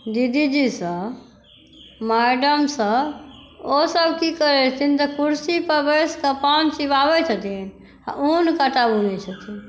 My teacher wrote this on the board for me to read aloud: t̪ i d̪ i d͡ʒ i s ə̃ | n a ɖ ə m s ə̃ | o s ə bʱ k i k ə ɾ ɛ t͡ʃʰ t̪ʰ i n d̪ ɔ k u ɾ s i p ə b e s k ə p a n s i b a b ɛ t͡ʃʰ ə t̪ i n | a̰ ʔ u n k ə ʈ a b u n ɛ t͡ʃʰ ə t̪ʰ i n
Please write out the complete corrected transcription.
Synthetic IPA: d̪ i d̪ i d͡ʒ i s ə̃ | m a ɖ ə m s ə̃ | o s ə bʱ k i k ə ɾ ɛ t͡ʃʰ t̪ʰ i n t̪ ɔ k u ɾ s i p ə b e s k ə p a n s i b a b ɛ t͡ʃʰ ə t̪ i n | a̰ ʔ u n k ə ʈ a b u n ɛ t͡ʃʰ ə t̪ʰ i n

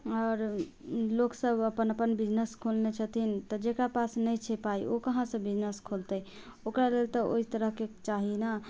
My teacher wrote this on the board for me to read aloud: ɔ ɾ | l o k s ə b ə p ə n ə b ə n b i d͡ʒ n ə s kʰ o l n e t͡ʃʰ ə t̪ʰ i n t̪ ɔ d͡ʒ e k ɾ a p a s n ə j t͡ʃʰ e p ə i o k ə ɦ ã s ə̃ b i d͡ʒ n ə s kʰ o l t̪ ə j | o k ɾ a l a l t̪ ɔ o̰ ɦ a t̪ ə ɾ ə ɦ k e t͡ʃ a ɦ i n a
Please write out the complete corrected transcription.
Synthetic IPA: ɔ ɾ | l o k s ə b ə p ə n ə p ə n b i d͡ʒ n ə s kʰ o l n e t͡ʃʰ ə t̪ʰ i n t̪ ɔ d͡ʒ e k ɾ a p a s n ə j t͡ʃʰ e p a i o k ə ɦ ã s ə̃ b i d͡ʒ n ə s kʰ o l t̪ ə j | o k ɾ a l e l t̪ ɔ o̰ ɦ i t̪ ə ɾ ə ɦ k e t͡ʃ a ɦ i n a

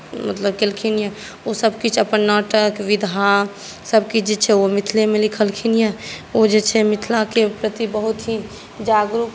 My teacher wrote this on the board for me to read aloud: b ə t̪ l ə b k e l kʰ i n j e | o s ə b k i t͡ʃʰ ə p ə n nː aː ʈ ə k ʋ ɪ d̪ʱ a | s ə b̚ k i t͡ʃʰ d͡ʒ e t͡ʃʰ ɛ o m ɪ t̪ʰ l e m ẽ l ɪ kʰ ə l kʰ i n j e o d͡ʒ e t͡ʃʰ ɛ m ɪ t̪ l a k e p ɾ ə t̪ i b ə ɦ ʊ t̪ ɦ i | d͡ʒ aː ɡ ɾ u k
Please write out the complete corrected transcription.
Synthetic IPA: m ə t̪ l ə b k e l kʰ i n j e | o s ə b k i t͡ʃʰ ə p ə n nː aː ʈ ə k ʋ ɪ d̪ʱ a | s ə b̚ k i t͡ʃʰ d͡ʒ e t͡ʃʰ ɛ o m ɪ t̪ʰ l e m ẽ l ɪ kʰ ə l kʰ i n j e o d͡ʒ e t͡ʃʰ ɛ m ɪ t̪ʰ l a k e p ɾ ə t̪ i b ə ɦ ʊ t̪ ɦ i | d͡ʒ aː ɡ ɾ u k

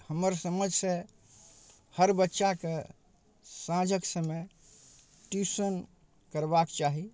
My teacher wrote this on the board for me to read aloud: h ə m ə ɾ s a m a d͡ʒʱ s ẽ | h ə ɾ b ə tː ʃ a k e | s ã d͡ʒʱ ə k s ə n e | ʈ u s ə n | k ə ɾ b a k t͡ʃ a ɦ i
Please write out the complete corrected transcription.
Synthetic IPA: h ə m ə ɾ s ə m ə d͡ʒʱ s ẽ | h ə ɾ b ə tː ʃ a k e | s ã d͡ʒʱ ə k s ə m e | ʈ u s ə n | k ə ɾ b a k t͡ʃ a ɦ i

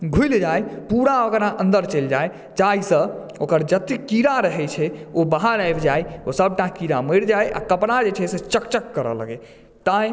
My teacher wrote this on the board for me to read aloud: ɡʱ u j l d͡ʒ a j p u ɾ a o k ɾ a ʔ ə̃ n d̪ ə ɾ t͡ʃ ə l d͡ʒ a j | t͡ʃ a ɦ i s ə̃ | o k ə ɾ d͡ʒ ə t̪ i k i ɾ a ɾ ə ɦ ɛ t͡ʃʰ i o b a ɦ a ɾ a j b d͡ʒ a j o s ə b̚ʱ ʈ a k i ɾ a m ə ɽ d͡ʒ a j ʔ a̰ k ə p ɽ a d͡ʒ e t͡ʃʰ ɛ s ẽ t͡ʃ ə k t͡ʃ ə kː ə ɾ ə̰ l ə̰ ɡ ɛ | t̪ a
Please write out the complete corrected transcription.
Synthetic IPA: ɡʱ u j l d͡ʒ a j p u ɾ a o k ɾ a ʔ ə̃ n d̪ ə ɾ t͡ʃ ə l d͡ʒ a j | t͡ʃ a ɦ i s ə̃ | o k ə ɾ d͡ʒ ə t̪ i k i ɾ a ɾ ə ɦ ɛ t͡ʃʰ ɛ o b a ɦ a ɾ a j b d͡ʒ a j o s ə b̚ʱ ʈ a k i ɾ a m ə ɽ d͡ʒ a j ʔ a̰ k ə p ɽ a d͡ʒ e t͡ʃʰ ɛ s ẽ t͡ʃ ə k t͡ʃ ə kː ə ɾ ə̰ l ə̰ ɡ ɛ | t̪ a

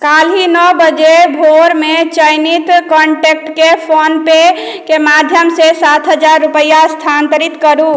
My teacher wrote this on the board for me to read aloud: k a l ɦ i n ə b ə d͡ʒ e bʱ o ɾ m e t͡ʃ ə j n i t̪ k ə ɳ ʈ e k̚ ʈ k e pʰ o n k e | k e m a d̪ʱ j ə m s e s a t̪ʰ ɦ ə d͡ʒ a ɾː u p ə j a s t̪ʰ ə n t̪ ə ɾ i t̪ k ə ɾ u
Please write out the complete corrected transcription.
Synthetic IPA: k a l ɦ i n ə b ə d͡ʒ e bʱ o ɾ m e t͡ʃ ə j n i t̪ k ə ɳ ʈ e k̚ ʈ k e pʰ o n p e | k e m a d̪ʱ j ə m s e s a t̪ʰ ɦ ə d͡ʒ a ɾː u p ə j a s t̪ʰ a n t̪ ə ɾ i t̪ k ə ɾ u

